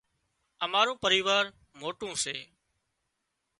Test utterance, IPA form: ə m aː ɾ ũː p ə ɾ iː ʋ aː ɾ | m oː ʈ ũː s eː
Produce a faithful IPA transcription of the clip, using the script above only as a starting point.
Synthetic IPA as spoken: ə m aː ɾ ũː p ə ɾ iː ʋ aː ɾ | m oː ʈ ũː s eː